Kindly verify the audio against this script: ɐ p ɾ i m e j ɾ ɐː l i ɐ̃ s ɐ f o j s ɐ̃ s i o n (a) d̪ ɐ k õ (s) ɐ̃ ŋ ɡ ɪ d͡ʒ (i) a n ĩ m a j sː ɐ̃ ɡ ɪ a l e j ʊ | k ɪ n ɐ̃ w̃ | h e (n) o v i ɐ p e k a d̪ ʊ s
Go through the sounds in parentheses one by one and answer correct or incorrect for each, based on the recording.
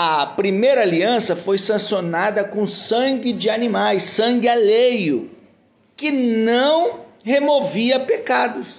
correct, correct, incorrect, incorrect

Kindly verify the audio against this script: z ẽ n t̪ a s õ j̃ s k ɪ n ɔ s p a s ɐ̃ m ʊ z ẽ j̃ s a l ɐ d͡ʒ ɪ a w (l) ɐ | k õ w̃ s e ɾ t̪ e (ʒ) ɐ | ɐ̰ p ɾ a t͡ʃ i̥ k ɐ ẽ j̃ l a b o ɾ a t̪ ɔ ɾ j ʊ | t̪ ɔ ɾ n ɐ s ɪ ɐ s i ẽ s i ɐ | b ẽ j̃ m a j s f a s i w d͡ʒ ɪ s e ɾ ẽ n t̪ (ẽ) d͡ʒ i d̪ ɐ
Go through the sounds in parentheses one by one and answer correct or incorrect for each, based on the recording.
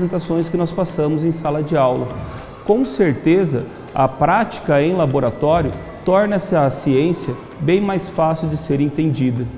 correct, incorrect, correct

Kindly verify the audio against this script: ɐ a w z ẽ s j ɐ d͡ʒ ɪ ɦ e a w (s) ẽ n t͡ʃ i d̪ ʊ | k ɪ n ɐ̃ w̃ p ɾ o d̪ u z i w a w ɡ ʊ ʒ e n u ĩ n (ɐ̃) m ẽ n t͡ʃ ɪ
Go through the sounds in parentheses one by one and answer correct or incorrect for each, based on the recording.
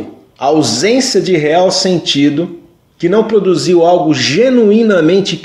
correct, incorrect

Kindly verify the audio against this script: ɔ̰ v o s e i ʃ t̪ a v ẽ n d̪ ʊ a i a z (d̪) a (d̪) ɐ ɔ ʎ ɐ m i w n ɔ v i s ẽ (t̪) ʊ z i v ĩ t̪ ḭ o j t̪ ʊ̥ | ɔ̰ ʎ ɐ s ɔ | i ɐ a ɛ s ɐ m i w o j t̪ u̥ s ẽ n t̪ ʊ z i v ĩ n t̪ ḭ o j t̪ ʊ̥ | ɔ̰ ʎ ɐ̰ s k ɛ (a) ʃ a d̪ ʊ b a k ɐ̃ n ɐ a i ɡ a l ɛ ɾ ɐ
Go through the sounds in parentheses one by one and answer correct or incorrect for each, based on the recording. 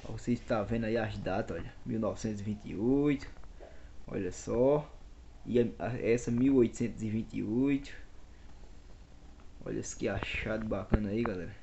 correct, incorrect, correct, correct

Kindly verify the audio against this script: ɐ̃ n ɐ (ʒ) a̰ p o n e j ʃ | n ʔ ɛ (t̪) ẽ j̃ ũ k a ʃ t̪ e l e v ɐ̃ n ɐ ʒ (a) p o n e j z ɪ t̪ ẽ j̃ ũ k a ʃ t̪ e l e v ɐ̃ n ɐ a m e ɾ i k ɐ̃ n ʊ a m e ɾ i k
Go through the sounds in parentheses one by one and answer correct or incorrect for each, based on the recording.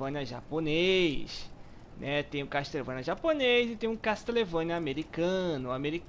correct, correct, correct

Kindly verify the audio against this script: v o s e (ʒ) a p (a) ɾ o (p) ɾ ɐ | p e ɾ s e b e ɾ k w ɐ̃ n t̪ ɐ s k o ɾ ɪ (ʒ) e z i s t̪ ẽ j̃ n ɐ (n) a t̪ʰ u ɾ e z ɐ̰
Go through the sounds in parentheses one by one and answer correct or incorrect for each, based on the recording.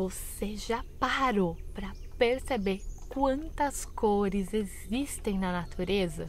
correct, correct, correct, incorrect, correct

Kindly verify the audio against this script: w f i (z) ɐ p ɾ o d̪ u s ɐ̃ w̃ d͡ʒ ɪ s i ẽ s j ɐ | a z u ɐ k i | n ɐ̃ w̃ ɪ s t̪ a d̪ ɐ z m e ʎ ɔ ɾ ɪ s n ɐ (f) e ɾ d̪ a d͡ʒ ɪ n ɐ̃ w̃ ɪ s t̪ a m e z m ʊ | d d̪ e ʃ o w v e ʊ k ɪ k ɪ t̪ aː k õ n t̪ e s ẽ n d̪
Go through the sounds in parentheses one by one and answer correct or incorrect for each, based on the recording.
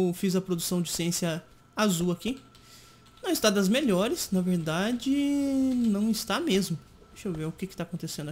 correct, incorrect

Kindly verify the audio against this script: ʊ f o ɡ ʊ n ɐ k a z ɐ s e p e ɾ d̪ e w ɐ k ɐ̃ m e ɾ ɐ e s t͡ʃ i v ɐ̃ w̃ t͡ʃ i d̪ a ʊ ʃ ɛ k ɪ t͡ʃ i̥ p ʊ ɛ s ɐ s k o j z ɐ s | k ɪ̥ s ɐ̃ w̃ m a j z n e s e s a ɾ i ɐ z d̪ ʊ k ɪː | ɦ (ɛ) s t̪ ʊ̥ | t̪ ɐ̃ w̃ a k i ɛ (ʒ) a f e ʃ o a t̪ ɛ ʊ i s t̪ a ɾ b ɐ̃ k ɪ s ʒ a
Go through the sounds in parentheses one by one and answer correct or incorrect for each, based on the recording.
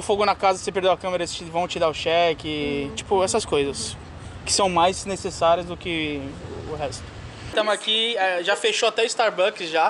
correct, correct

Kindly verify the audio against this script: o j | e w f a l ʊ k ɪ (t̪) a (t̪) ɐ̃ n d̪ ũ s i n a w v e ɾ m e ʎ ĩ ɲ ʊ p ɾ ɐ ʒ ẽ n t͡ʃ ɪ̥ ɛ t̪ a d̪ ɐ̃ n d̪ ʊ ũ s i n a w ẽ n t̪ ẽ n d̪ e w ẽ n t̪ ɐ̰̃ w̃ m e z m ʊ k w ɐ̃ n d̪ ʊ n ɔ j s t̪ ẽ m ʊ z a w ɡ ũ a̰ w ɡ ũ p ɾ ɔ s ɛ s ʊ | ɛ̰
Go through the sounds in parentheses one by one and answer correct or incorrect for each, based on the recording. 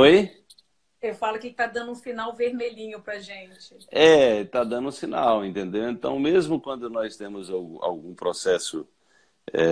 correct, incorrect

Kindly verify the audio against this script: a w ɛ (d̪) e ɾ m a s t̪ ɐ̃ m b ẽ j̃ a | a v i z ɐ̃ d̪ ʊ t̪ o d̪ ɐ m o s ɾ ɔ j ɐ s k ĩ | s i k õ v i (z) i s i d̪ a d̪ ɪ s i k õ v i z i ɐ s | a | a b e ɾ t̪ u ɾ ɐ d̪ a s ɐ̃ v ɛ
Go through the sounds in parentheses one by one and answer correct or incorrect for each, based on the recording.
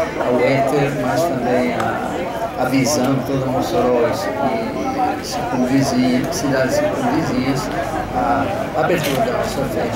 incorrect, correct

